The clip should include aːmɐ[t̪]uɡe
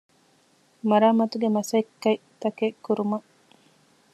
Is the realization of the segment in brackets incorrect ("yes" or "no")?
no